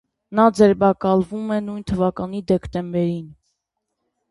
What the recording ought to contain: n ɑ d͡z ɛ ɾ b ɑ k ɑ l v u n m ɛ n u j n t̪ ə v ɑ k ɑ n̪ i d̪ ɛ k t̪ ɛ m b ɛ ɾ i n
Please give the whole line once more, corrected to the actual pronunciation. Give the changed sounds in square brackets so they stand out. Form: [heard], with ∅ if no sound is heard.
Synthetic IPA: n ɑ d͡z ɛ ɾ b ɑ k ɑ l v u [∅] m ɛ n u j n [t̪ʰ] ə v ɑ k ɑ n̪ i d̪ ɛ k t̪ ɛ m b ɛ ɾ i n